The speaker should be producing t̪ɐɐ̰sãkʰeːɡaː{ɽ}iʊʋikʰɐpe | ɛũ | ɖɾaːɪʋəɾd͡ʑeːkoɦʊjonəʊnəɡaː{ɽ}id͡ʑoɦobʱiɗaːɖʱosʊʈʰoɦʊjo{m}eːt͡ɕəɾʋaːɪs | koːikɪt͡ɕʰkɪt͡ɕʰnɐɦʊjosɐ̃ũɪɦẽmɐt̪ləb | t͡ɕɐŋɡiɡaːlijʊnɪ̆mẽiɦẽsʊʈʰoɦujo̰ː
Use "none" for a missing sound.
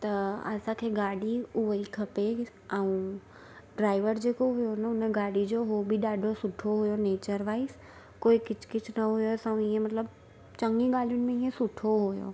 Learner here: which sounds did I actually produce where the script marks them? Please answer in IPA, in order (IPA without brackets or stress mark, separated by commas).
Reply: ɽ, ɽ, n